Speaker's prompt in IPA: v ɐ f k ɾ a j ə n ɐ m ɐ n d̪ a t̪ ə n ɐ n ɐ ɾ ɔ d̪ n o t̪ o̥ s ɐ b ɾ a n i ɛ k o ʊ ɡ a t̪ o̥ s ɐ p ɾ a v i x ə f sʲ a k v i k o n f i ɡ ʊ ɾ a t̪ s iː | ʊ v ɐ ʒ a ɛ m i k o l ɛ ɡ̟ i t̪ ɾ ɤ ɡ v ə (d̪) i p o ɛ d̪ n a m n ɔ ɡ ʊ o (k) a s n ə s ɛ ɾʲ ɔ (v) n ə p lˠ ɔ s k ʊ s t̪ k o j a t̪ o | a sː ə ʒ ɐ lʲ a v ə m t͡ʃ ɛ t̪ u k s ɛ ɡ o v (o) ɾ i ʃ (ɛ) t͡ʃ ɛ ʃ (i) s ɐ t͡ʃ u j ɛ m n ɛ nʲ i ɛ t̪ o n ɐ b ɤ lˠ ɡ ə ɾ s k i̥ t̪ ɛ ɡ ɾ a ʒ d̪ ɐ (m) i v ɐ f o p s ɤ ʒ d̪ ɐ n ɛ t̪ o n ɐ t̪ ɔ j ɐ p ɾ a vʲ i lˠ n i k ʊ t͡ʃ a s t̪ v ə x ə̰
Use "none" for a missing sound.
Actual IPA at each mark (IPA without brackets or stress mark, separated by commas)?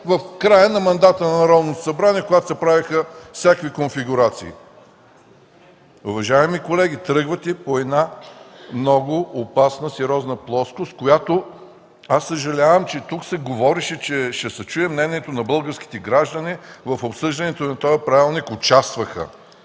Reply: t̪, p, z, ɔ, ɛ, ɛ, n